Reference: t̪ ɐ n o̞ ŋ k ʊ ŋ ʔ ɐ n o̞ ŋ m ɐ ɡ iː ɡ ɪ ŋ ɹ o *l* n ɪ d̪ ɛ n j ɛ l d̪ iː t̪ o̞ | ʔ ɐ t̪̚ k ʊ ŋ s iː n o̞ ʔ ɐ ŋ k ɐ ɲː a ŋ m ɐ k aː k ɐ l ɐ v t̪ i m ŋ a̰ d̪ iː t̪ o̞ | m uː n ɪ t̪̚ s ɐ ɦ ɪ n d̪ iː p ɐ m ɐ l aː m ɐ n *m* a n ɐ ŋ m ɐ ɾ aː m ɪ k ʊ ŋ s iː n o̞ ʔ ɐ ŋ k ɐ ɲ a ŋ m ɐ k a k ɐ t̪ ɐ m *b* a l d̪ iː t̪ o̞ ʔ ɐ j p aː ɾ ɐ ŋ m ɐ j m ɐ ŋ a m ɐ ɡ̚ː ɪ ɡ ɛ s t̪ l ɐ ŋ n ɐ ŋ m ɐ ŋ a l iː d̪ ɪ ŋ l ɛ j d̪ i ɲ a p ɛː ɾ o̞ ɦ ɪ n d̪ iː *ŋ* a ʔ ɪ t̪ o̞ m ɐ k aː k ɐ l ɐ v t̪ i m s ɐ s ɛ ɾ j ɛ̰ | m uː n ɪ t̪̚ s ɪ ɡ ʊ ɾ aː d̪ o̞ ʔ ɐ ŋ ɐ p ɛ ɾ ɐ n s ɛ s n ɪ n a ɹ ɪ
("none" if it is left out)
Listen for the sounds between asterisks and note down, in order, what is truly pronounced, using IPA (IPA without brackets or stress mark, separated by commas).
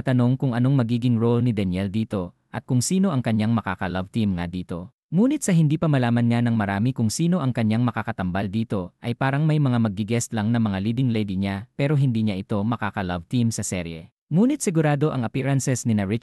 l, ɲ, b, ɲ